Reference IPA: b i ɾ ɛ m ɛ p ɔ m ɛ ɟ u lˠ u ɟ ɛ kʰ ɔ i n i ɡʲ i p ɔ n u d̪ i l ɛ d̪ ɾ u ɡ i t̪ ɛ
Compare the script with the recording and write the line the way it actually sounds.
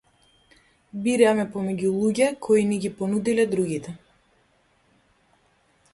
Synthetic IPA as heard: b i ɾ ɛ m ɛ p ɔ m ɛ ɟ u lˠ u ɟ ɛ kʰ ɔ i n i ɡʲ i p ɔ n u d̪ i l ɛ d̪ ɾ u ɡ i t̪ ɛ